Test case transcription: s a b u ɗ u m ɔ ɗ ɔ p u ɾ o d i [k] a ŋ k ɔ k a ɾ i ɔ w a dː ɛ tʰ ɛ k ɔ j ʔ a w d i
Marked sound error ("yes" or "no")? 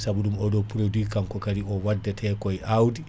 no